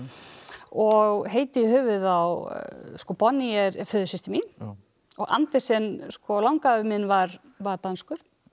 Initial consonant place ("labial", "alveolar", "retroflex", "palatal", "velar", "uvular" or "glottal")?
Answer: velar